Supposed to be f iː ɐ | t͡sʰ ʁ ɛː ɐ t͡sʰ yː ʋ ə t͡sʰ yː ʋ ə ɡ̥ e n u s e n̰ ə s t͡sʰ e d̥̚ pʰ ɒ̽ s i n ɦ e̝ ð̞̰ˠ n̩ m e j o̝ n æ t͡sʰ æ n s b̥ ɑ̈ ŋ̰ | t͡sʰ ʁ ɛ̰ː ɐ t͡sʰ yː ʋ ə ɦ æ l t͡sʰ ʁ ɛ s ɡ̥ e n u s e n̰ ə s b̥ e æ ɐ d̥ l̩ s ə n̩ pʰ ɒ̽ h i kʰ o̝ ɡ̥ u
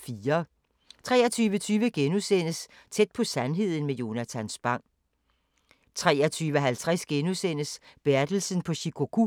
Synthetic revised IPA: f iː ɐ | t͡sʰ ʁ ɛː ɐ t͡sʰ yː ʋ ə t͡sʰ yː ʋ ə ɡ̥ e n u s e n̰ ə s t͡sʰ e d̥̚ pʰ ɒ̽ s æ n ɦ e̝ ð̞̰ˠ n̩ m e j o̝ n æ t͡sʰ æ n s b̥ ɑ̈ ŋ̰ | t͡sʰ ʁ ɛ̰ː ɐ t͡sʰ yː ʋ ə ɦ æ l t͡sʰ ʁ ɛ s ɡ̥ e n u s e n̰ ə s b̥ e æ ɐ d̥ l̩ s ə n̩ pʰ ɒ̽ ɕ i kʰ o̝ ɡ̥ u